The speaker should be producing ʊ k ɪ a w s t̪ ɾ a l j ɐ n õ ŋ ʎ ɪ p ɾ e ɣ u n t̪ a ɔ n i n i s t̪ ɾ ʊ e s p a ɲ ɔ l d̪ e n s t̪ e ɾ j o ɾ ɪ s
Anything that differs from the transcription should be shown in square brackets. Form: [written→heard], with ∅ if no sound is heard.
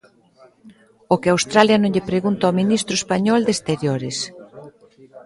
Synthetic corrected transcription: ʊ k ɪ a w s t̪ ɾ a l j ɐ n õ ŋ ʎ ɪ p ɾ e ɣ u n t̪ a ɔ [n→m] i n i s t̪ ɾ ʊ e s p a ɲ ɔ l d̪ e [n→∅] s t̪ e ɾ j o ɾ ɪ s